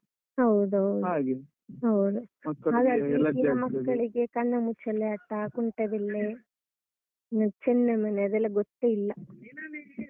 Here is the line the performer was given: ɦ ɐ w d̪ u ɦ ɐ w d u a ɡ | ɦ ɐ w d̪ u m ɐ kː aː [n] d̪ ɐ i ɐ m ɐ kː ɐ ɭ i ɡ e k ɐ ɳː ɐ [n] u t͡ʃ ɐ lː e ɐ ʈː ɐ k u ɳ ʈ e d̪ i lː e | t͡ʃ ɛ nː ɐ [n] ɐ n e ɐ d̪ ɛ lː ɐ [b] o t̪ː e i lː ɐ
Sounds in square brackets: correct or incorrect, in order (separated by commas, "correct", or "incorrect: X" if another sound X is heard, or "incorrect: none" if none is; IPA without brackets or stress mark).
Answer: incorrect: none, incorrect: m, incorrect: m, incorrect: ɡ